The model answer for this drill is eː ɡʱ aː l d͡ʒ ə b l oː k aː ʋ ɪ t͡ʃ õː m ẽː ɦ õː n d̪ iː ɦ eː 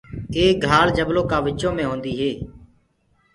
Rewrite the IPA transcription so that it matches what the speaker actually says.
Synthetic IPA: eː ɡʱ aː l d͡ʒ ə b l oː k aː ʋ ɪ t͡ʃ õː m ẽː ɦ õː n d̪ iː ɦ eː

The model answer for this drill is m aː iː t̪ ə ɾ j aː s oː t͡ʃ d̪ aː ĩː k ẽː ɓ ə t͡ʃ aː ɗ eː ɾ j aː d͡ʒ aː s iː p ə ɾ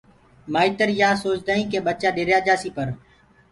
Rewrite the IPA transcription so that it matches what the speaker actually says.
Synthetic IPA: m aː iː t̪ ə ɾ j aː s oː t͡ʃ d̪ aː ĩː k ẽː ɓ ə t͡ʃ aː ɗ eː ɾ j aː d͡ʒ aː s iː p ə ɾ

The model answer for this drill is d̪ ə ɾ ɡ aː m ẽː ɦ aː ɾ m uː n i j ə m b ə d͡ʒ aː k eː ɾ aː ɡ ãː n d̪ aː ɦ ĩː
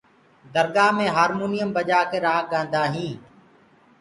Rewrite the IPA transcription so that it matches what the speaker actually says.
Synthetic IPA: d̪ ə ɾ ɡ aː m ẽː ɦ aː ɾ m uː n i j ə m b ə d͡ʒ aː k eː ɾ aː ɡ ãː n d̪ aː ɦ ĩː

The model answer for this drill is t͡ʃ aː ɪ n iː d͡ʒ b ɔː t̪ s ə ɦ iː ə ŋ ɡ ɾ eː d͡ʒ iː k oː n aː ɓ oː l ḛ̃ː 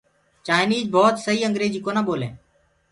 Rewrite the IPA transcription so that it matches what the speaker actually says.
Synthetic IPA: t͡ʃ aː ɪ n iː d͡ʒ b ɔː t̪ s ə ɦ iː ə ŋ ɡ ɾ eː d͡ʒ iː k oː n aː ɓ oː l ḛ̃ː

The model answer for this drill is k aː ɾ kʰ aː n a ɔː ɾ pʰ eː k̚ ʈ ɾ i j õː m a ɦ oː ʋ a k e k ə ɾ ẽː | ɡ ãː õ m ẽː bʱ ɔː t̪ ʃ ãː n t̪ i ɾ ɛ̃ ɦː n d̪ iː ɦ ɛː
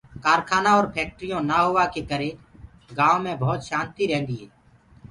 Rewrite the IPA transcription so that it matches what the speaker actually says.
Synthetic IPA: k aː ɾ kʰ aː n a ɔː ɾ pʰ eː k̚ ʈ ɾ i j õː n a ɦ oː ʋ a k e k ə ɾ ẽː | ɡ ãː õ m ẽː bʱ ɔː t̪ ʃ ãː n t̪ i ɾ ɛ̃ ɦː n d̪ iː ɦ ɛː

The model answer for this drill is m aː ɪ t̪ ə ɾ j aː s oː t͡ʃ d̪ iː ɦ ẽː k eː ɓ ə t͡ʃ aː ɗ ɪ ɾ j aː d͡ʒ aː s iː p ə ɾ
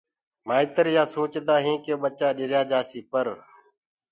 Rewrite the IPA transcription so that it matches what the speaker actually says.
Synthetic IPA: m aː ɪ t̪ ə ɾ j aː s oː t͡ʃ d̪ aː ɦ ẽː k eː ɓ ə t͡ʃ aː ɗ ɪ ɾ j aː d͡ʒ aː s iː p ə ɾ

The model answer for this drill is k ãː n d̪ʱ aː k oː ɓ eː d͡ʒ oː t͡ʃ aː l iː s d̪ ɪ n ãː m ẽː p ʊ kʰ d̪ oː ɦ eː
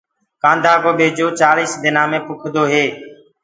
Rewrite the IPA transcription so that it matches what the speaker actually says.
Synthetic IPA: k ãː n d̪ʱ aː k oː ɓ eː d͡ʒ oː t͡ʃ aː l iː s d̪ ɪ n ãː m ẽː p ʊ kʰ d̪ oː ɦ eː

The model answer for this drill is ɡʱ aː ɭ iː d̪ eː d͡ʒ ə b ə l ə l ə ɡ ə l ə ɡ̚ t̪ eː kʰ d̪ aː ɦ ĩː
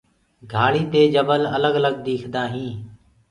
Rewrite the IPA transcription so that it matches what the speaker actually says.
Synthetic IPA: ɡʱ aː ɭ iː t̪ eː d͡ʒ ə b ə l ə l ə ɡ ə l ə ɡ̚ d̪ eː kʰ d̪ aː ɦ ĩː

